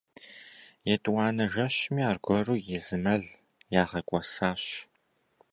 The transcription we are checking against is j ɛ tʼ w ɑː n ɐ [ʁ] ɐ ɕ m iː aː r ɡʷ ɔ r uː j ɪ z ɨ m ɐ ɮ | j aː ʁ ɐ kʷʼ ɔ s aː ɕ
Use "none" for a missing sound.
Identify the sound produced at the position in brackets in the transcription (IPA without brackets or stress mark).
ʒ